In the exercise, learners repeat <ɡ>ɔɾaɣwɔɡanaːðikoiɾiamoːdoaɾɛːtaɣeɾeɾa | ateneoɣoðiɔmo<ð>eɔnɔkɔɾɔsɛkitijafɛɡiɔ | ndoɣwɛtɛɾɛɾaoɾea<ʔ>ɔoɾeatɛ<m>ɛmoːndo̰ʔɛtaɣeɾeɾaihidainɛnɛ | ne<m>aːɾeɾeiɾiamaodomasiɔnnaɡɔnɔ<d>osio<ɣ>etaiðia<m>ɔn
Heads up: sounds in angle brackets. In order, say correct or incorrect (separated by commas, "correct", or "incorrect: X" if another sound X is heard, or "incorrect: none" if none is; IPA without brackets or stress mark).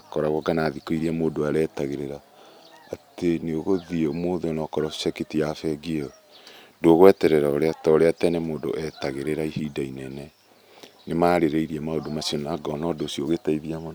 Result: incorrect: k, correct, incorrect: t, incorrect: n, correct, correct, correct, correct